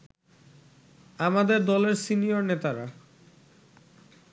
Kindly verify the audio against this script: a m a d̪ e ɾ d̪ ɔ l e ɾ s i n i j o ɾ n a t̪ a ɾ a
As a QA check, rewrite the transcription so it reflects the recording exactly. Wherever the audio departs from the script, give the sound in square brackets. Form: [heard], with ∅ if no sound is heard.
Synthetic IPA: a m a d̪ e ɾ d̪ ɔ l e ɾ s i n i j o ɾ n [e] t̪ a ɾ a